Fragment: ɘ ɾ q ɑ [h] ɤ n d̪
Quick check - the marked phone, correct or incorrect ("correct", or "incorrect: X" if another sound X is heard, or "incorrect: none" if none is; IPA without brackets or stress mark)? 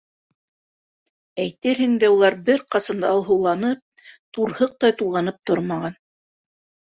incorrect: s